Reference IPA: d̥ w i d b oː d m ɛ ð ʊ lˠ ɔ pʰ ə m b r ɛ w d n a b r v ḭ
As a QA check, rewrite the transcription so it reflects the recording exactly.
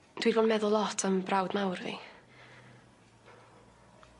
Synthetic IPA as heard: d̥ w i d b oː d m ɛ ð ʊ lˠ ɔ tʰ ə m b r a w d n a w r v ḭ